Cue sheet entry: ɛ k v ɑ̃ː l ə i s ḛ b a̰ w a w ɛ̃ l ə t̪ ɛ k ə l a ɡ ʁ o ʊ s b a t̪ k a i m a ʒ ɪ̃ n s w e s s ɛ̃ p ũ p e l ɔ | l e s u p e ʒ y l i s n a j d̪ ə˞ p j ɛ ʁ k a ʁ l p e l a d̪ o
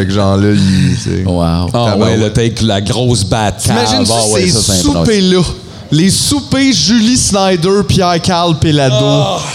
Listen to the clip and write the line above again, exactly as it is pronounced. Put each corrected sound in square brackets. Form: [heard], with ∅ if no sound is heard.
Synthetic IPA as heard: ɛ k [ʒ] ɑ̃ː l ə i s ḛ [w] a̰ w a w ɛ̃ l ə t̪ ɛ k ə l a ɡ ʁ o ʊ s b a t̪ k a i m a ʒ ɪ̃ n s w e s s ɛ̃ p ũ p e l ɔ | l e s u p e ʒ y l i s n a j d̪ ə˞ p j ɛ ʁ k a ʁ l p e l a d̪ o